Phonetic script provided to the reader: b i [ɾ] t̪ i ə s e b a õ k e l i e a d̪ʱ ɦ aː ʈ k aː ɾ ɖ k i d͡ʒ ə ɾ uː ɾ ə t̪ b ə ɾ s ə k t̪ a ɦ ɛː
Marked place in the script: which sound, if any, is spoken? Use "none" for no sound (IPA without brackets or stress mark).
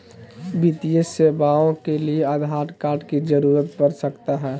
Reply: none